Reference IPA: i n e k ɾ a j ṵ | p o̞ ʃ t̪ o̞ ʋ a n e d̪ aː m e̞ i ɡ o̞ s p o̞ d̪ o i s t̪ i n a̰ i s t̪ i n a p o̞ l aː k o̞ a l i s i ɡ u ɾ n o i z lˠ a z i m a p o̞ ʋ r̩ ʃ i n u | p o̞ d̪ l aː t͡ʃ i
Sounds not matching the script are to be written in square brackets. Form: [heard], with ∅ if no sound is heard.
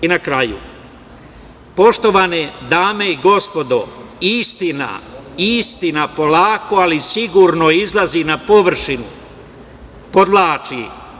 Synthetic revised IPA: i n [a] k ɾ a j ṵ | p o̞ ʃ t̪ o̞ ʋ a n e d̪ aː m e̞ i ɡ o̞ s p o̞ d̪ o i s t̪ i n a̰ i s t̪ i n a p o̞ l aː k o̞ a l i s i ɡ u ɾ n o i z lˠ a z i [n] a p o̞ ʋ r̩ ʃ i n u | p o̞ d̪ l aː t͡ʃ i